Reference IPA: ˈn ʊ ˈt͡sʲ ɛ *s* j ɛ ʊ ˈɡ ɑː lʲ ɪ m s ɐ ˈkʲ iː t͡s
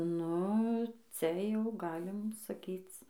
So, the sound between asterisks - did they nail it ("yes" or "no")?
no